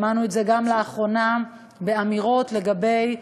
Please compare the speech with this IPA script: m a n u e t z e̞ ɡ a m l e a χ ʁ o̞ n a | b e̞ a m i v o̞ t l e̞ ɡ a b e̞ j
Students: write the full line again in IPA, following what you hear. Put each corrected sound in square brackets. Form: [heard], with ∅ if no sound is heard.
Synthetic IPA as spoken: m a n u e t z e̞ ɡ a m l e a χ ʁ o̞ n a | b e̞ a m i [ʁ] o̞ t l e̞ ɡ a b e̞ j